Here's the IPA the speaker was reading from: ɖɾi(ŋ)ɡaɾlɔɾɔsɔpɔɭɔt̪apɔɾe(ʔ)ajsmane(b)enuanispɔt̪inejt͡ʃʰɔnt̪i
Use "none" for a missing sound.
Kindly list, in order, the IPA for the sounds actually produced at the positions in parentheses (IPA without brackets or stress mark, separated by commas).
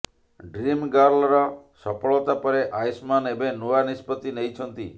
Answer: m, ʔ, b